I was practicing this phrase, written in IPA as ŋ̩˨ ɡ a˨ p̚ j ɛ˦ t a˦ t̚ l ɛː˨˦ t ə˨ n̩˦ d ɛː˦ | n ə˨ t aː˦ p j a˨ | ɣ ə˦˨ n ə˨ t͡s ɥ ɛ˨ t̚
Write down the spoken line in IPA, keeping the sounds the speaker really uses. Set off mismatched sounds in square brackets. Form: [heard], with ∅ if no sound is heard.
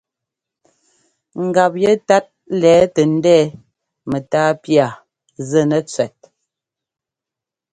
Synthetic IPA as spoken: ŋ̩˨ ɡ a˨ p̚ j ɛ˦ t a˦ t̚ l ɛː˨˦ t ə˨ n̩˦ d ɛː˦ | [m] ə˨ t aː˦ p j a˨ | [z] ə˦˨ n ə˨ t͡s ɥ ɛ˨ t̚